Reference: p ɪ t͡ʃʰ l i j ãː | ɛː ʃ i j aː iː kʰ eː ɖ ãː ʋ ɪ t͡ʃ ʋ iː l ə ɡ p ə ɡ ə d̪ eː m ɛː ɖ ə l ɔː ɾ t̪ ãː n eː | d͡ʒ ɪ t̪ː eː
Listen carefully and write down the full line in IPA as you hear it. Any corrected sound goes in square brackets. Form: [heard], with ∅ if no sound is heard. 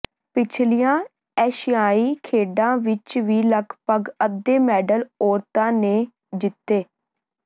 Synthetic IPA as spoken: p ɪ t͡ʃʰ l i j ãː | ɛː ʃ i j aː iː kʰ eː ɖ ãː ʋ ɪ t͡ʃ ʋ iː l ə ɡ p ə ɡ ə d̪ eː m ɛː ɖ ə l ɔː ɾ t̪ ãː n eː | d͡ʒ ɪ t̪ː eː